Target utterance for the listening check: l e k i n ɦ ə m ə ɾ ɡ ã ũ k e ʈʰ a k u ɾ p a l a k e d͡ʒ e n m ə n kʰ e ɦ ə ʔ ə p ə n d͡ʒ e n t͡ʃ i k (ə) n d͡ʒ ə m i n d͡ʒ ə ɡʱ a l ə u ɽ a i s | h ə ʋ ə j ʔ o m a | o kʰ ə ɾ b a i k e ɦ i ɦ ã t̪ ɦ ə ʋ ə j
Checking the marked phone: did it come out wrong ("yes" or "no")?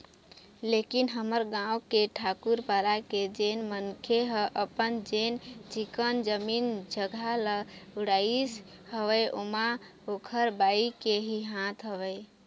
no